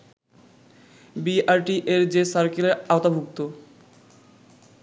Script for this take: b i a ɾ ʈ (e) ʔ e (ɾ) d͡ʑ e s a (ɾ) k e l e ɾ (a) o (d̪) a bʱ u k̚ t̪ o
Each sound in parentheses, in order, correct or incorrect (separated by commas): incorrect, correct, correct, correct, incorrect